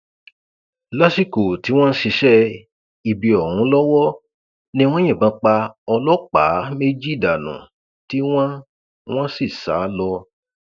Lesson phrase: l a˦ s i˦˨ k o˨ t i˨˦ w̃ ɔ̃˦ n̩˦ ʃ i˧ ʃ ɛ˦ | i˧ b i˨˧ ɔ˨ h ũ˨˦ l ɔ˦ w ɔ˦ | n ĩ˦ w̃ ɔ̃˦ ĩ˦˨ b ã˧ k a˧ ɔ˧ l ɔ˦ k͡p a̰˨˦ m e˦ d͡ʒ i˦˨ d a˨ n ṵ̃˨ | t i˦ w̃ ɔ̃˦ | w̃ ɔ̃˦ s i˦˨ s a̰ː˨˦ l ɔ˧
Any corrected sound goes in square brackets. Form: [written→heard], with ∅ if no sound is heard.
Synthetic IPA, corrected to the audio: l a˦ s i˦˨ k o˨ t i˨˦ w̃ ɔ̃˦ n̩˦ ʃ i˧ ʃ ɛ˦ | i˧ b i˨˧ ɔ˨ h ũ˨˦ l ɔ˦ w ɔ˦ | n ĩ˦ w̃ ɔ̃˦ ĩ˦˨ b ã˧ [k→k͡p] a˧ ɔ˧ l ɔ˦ k͡p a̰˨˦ m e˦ d͡ʒ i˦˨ d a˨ n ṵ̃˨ | t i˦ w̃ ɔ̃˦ | w̃ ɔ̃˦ s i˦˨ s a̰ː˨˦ l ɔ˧